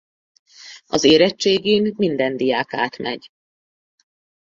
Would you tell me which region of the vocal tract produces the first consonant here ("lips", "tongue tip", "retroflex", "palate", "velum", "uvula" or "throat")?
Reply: tongue tip